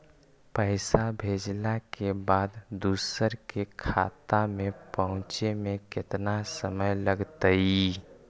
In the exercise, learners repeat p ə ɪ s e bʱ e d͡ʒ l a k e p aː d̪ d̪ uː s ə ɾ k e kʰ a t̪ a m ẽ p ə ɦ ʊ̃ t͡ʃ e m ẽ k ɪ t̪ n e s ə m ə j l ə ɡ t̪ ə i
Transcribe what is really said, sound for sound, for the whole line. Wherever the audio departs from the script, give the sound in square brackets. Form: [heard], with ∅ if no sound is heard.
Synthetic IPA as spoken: p ə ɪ s [a] bʱ e d͡ʒ l a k e [b] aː d̪ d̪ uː s ə ɾ k e kʰ a t̪ a m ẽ p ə ɦ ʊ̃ t͡ʃ e m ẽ k ɪ t̪ n [a] s ə m ə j l ə ɡ t̪ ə i